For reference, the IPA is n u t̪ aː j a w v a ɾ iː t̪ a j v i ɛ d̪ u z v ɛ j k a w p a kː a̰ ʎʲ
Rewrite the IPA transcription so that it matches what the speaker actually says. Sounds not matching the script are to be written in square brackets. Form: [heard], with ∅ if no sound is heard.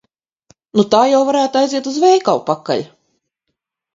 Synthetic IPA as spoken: n u t̪ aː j a w v a ɾ [æː] t̪ a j [z] i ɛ [t̪] u z v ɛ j k a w p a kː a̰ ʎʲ